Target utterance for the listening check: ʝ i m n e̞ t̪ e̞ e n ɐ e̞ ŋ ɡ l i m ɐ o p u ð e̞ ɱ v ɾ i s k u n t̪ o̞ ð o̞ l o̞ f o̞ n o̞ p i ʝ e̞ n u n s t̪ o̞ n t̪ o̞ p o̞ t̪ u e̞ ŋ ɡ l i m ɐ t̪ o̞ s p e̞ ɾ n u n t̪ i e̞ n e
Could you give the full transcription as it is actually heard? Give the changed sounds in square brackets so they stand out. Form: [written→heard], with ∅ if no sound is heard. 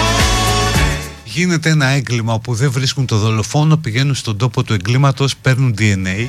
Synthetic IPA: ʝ i [m→∅] n e̞ t̪ e̞ e n ɐ e̞ ŋ ɡ l i m ɐ o p u ð e̞ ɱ v ɾ i s k u n t̪ o̞ ð o̞ l o̞ f o̞ n o̞ p i ʝ e̞ n u n s t̪ o̞ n [t̪→d̪] o̞ p o̞ t̪ u e̞ ŋ ɡ l i m ɐ t̪ o̞ s p e̞ ɾ n u n [t̪→d̪] i e̞ n e